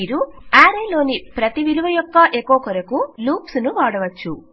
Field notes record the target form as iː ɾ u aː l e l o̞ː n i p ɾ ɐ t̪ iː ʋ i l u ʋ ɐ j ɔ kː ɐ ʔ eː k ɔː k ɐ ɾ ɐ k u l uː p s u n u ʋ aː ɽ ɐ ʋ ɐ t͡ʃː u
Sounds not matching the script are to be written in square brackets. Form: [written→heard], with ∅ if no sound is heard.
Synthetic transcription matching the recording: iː ɾ u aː [l→ɾ] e l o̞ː n i p ɾ ɐ t̪ [iː→i] ʋ i l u ʋ ɐ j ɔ kː ɐ ʔ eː k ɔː k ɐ ɾ ɐ k u l uː p s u n u ʋ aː ɽ ɐ ʋ ɐ t͡ʃː u